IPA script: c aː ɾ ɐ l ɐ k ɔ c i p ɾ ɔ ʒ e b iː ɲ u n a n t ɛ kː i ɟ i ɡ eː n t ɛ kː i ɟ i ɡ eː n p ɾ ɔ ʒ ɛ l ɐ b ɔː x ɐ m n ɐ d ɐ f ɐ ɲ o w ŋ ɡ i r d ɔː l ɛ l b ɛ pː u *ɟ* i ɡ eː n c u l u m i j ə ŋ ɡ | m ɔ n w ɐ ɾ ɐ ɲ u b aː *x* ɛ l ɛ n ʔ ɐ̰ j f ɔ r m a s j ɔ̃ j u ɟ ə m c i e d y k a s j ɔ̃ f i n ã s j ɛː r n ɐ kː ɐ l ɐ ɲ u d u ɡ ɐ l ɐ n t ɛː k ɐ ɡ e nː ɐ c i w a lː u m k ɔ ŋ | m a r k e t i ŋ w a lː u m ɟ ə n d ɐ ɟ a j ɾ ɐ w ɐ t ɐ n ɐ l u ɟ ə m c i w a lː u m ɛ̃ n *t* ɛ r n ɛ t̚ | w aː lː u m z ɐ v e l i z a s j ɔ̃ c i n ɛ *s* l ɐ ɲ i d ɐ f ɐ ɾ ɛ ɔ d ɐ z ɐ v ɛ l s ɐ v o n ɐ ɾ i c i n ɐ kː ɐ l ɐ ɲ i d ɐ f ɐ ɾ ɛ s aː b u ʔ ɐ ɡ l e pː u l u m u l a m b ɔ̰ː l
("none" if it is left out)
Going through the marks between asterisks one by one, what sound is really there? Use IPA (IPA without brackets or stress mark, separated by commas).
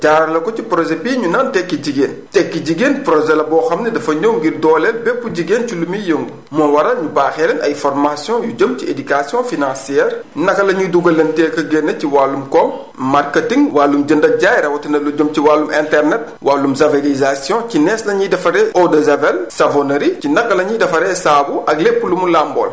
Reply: ɟ, x, t, s